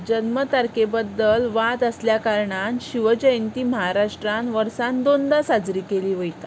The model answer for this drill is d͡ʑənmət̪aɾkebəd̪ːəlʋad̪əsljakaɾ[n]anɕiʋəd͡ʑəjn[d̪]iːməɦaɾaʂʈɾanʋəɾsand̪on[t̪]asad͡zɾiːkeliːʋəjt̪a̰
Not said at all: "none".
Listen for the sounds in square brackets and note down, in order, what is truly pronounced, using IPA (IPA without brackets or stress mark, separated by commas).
ɳ, t̪, d̪